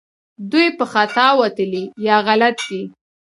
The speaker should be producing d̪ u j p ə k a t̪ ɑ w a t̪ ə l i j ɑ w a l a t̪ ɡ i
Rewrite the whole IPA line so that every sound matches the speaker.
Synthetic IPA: d̪ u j p ə x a t̪ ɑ w a t̪ ə l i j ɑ ɣ a l a t̪ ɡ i